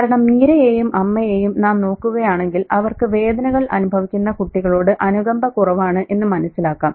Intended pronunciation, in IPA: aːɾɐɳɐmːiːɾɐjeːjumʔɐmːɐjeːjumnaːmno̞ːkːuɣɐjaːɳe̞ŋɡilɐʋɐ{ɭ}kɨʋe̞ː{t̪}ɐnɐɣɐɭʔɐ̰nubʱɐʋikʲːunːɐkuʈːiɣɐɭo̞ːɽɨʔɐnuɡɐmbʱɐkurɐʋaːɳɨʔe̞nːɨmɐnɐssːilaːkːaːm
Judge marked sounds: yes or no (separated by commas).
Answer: no, no